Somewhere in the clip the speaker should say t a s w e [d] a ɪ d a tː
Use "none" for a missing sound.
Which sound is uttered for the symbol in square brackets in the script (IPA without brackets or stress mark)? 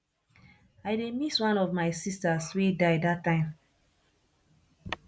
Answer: d